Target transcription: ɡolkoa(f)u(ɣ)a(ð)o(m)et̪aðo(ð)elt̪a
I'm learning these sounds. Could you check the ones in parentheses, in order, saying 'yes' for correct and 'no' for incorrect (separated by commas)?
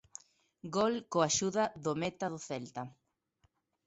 no, no, yes, yes, no